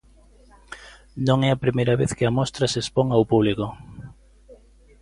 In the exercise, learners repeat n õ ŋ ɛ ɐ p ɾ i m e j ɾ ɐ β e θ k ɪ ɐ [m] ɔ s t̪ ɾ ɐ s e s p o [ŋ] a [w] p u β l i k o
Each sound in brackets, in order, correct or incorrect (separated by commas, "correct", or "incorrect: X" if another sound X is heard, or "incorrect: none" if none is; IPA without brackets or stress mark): correct, correct, correct